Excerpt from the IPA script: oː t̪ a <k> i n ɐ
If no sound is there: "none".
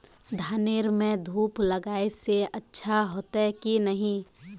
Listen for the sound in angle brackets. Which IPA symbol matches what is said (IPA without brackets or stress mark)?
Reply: k